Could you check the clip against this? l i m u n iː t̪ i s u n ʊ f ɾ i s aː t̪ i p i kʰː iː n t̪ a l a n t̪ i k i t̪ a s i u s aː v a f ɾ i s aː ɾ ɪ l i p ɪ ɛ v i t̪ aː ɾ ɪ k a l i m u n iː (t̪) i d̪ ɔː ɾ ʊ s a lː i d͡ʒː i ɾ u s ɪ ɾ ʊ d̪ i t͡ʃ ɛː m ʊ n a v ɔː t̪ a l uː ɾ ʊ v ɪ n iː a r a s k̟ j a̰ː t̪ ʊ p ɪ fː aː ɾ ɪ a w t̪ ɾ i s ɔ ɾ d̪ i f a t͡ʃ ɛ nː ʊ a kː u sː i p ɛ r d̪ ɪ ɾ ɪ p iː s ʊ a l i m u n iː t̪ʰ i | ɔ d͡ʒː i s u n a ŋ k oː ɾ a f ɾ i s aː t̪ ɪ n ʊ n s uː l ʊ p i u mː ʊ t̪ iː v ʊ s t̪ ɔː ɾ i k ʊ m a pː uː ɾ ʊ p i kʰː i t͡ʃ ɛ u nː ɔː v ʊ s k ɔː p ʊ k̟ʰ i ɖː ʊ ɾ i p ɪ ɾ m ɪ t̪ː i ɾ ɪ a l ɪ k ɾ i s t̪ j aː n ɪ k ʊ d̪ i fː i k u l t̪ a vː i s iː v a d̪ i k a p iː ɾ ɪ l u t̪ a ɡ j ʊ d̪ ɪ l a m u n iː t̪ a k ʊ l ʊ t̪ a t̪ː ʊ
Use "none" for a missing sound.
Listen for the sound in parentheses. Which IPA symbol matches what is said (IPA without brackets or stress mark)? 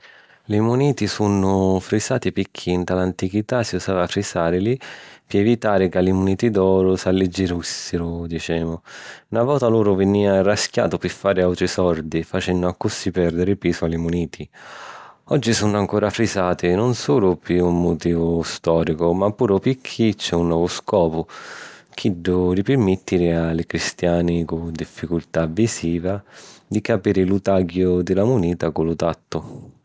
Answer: t̪